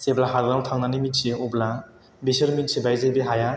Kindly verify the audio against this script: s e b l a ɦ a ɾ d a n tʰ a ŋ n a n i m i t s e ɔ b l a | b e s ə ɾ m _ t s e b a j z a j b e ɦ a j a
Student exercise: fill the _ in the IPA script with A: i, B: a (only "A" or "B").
A